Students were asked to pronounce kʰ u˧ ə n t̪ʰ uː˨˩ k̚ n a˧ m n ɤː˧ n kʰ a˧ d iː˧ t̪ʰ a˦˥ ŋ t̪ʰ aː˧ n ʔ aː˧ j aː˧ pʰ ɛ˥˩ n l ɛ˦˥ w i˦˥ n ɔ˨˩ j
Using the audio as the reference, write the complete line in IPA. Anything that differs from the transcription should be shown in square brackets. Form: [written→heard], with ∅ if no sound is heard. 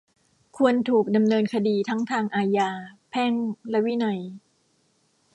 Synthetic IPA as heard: kʰ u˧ ə n t̪ʰ uː˨˩ k̚ [n→d] a˧ m n ɤː˧ n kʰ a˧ d iː˧ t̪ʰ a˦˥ ŋ t̪ʰ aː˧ [n→ŋ] ʔ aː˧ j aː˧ pʰ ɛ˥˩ [n→ŋ] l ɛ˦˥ w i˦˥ n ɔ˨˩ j